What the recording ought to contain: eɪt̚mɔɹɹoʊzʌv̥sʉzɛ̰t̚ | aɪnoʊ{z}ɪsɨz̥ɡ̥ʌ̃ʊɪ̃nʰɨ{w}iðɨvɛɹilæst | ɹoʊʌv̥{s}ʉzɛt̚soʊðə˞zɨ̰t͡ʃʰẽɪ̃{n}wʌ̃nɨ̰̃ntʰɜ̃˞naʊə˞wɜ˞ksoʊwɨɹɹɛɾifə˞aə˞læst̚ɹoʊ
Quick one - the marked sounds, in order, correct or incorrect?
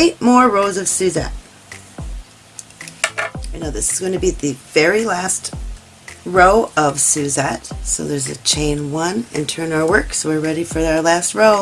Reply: incorrect: ð, incorrect: b, correct, correct

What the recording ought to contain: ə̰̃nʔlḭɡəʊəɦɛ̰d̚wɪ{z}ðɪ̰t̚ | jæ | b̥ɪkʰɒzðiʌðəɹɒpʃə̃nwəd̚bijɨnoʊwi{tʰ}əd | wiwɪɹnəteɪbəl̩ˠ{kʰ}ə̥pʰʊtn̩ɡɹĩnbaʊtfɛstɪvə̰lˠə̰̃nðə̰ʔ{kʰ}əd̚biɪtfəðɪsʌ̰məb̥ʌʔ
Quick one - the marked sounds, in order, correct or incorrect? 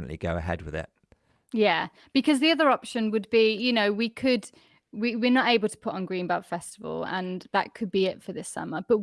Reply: incorrect: none, incorrect: kʰ, incorrect: tʰ, correct

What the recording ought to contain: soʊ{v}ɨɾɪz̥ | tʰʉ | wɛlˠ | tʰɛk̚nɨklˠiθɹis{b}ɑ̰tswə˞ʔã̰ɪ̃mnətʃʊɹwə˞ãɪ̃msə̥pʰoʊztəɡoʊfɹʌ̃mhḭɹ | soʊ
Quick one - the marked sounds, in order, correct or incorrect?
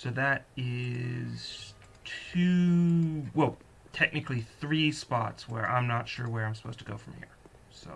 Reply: incorrect: ð, incorrect: p

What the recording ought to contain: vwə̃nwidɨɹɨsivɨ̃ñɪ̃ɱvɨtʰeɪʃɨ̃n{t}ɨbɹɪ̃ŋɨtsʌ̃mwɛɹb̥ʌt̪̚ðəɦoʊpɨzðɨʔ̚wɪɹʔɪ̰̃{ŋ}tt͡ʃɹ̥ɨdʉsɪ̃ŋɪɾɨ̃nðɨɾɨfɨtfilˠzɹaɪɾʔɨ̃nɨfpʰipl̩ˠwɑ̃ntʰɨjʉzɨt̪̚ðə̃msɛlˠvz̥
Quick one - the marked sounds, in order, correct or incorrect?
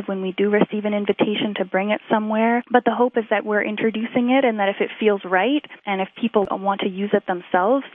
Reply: incorrect: tʰ, incorrect: n

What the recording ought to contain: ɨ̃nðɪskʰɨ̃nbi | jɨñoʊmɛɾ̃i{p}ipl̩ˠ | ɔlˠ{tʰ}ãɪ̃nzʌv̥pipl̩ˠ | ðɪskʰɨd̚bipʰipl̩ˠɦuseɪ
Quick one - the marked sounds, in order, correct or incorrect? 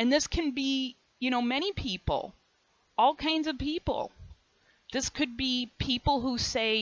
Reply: incorrect: pʰ, incorrect: kʰ

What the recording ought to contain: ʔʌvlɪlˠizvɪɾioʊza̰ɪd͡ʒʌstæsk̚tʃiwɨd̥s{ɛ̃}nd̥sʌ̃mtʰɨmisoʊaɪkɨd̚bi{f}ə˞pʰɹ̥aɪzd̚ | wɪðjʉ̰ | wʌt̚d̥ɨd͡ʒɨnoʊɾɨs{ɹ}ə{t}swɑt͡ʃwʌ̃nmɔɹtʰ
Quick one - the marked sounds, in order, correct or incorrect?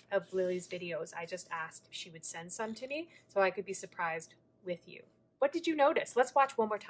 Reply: correct, incorrect: s, incorrect: l, correct

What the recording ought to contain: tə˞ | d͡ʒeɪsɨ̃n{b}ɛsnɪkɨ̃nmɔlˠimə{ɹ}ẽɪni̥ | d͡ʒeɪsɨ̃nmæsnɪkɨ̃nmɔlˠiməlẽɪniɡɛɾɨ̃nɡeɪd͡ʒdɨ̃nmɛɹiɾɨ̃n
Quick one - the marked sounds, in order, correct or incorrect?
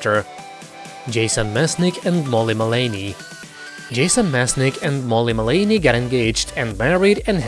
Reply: incorrect: m, incorrect: l

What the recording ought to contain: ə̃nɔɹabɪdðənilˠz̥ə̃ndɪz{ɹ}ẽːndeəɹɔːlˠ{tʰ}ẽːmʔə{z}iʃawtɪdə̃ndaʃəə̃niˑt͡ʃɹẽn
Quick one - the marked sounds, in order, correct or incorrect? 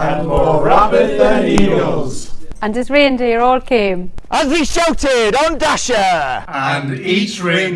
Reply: correct, incorrect: kʰ, correct

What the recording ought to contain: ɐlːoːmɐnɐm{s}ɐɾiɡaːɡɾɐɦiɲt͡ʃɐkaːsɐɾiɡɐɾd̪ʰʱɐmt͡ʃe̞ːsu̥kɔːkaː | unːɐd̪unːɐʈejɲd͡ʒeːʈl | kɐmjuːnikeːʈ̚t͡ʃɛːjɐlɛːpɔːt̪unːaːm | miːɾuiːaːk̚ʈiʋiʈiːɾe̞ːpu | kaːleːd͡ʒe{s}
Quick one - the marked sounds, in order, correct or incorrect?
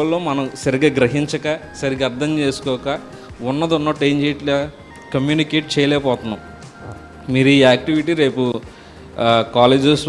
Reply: correct, correct

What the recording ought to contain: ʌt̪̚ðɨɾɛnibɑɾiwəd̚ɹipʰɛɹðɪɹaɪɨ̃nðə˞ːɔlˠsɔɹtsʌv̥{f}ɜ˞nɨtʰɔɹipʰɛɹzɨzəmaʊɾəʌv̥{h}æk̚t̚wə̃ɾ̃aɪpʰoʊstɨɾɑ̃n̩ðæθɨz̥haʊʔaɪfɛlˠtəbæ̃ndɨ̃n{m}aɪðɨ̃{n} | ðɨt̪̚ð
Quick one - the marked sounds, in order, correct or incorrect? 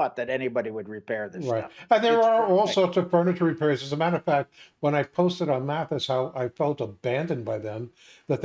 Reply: correct, incorrect: f, incorrect: b, incorrect: m

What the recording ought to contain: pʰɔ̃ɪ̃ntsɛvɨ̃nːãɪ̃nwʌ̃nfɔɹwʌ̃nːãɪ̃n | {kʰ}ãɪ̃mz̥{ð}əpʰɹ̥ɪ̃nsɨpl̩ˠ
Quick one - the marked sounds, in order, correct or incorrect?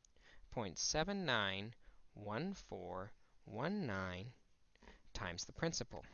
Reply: incorrect: tʰ, correct

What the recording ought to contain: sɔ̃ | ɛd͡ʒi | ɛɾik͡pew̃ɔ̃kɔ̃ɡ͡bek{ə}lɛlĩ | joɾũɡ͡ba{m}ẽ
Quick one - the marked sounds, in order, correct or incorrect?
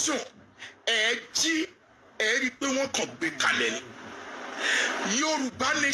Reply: incorrect: a, incorrect: n

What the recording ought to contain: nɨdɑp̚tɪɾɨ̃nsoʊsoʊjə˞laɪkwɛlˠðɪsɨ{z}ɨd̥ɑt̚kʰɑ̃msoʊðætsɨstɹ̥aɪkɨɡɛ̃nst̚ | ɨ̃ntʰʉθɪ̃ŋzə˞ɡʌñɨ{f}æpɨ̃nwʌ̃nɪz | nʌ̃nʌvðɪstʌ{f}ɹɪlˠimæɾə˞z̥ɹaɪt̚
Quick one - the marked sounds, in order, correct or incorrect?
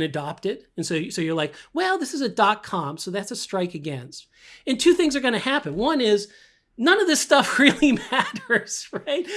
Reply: correct, incorrect: h, correct

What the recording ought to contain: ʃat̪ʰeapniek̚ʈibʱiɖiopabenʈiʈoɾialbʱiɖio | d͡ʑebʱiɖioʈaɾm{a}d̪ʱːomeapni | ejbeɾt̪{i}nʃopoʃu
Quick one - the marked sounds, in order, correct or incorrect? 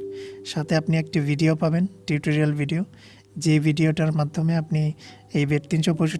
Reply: correct, correct

